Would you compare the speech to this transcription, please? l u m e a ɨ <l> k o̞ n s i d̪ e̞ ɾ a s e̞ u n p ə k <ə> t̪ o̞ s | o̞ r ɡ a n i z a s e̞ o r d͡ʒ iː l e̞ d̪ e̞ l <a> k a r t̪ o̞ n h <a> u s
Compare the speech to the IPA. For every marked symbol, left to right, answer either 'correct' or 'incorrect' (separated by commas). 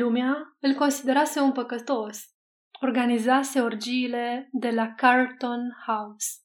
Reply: correct, correct, correct, correct